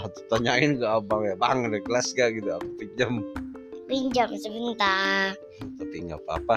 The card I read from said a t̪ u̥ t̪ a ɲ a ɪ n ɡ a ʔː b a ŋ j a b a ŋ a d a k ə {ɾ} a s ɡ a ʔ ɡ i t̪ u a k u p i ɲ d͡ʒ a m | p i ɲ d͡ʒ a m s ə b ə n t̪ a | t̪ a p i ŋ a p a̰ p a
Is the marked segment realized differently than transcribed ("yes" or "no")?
yes